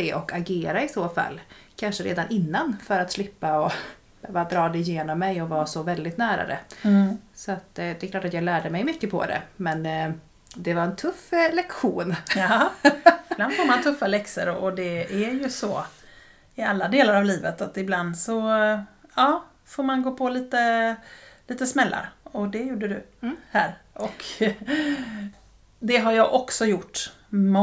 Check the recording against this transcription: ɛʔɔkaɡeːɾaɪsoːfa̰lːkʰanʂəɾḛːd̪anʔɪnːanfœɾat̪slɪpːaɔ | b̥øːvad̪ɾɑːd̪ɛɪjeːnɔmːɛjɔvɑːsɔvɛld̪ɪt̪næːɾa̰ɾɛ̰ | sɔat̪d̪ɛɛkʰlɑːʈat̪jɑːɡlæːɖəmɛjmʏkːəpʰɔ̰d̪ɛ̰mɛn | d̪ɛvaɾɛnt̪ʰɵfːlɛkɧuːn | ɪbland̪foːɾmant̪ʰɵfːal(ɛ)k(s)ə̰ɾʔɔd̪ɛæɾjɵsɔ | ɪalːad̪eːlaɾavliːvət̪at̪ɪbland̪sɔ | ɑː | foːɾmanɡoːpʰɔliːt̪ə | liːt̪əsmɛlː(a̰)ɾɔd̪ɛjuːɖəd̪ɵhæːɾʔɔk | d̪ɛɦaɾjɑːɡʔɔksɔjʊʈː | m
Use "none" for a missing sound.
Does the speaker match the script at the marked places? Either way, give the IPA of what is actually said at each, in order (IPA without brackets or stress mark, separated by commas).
ɛ, s, a̰